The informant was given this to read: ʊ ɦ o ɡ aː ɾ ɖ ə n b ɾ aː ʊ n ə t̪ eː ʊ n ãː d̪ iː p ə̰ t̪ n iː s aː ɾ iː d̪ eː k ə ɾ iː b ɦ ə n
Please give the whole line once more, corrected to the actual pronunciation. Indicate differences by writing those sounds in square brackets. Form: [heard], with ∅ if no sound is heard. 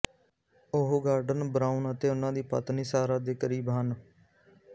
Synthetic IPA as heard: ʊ ɦ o ɡ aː ɾ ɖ ə n b ɾ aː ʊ n ə t̪ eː ʊ n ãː d̪ iː p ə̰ t̪ n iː s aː ɾ [aː] d̪ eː k ə ɾ iː b ɦ ə n